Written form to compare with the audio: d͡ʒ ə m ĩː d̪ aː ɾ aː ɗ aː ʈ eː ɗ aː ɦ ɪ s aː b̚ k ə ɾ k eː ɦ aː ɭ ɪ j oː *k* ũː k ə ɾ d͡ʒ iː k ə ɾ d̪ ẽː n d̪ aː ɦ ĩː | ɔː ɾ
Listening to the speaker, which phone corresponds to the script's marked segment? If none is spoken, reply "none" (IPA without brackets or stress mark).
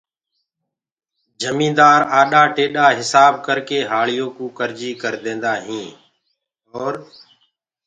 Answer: k